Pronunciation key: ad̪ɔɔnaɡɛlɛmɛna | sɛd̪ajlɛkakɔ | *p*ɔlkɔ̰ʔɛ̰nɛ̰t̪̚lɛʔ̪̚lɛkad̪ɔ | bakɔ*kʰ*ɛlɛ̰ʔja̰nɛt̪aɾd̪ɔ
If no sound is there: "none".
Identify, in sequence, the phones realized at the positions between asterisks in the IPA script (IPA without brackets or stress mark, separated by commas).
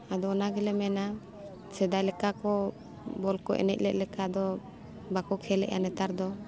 b, kʰ